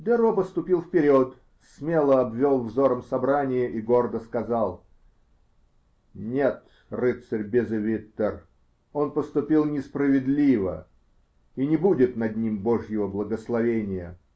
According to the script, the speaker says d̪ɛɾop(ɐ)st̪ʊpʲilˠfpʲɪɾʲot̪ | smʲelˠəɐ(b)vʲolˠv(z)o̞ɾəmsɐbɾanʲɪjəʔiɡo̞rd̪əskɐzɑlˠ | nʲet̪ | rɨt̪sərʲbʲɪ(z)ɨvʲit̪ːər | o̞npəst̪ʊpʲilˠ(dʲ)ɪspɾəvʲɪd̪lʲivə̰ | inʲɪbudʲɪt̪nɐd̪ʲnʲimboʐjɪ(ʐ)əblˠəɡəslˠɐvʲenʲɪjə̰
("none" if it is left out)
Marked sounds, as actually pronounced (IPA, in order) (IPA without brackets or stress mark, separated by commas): ə, b, z, z, nʲ, v